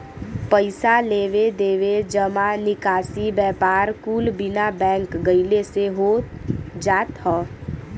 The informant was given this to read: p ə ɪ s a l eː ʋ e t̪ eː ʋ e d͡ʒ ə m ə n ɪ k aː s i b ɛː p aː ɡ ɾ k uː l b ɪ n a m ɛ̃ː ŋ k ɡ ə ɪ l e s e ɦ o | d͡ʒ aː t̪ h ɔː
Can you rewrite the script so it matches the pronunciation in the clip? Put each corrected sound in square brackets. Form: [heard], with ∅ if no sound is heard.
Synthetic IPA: p ə ɪ s a l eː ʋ e [d̪] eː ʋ e d͡ʒ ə m [a] n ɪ k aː s i b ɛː p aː [∅] ɾ k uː l b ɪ n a [b] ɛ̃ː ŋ k ɡ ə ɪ l e s e ɦ o | d͡ʒ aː t̪ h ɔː